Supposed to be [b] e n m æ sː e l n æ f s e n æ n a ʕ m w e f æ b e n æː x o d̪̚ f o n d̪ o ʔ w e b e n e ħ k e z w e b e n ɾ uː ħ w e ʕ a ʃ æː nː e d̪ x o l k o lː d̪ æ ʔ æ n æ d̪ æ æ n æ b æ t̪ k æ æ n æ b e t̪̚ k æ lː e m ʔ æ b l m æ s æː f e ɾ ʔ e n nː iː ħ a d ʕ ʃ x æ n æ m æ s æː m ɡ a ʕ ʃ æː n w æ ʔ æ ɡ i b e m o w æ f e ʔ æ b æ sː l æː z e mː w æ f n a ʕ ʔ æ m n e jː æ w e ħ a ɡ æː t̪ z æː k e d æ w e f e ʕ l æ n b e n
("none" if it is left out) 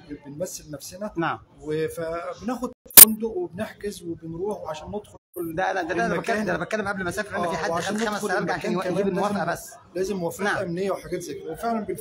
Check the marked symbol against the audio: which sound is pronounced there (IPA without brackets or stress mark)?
b